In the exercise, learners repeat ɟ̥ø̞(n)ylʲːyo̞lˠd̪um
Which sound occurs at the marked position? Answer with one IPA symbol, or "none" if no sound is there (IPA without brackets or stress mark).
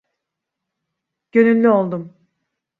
n